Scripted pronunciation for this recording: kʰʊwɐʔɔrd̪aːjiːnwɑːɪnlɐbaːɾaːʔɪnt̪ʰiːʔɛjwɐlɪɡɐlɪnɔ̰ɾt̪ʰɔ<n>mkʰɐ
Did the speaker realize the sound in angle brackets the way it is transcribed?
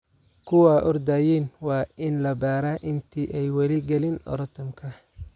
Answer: no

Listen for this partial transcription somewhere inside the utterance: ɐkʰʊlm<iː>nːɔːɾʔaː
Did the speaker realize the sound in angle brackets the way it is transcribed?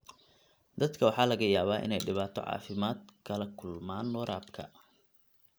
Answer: no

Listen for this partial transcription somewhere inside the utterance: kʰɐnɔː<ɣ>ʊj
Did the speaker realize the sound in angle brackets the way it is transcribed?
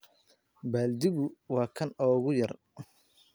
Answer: yes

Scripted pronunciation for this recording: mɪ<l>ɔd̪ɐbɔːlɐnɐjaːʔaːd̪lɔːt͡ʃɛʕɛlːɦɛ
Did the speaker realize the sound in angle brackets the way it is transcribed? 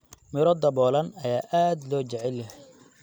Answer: no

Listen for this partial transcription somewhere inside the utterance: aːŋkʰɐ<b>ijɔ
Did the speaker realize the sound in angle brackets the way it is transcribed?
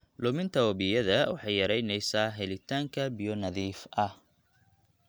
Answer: yes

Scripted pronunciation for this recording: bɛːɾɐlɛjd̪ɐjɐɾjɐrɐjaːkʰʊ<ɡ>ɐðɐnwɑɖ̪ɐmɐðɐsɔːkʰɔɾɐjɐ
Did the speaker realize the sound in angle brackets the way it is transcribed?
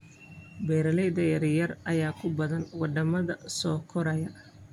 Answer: no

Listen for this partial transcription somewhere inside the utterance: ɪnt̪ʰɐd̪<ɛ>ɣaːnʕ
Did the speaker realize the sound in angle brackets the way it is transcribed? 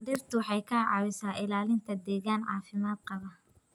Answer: no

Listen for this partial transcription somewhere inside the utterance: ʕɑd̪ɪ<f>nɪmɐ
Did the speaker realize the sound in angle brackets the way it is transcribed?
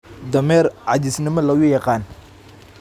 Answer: no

